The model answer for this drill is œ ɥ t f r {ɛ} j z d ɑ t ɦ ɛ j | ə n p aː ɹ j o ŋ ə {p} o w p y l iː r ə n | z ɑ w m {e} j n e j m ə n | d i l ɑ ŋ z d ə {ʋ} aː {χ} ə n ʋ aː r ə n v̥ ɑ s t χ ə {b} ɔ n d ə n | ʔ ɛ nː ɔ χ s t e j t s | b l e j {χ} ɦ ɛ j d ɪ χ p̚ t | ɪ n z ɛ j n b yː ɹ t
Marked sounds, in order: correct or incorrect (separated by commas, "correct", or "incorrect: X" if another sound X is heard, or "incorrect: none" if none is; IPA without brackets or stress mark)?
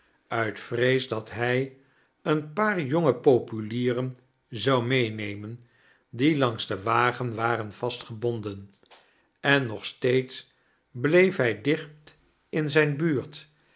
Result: incorrect: e, correct, correct, correct, correct, correct, incorrect: f